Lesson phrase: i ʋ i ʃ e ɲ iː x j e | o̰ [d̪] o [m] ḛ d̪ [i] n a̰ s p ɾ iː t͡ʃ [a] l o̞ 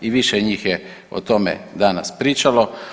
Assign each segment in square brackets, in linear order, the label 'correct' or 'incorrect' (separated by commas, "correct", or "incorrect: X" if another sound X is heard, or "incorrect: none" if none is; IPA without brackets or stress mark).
incorrect: t̪, correct, incorrect: a, correct